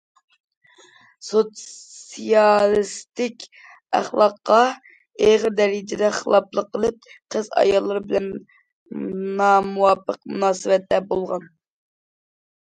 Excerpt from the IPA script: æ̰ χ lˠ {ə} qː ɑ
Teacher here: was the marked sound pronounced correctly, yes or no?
no